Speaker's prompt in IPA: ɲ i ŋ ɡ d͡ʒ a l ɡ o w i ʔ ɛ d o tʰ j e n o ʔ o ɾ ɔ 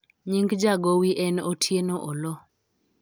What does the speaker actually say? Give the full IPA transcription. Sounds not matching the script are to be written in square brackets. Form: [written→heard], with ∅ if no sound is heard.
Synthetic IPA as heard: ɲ i ŋ ɡ d͡ʒ a [l→∅] ɡ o w i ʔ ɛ [d→n] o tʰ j e n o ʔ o [ɾ→l] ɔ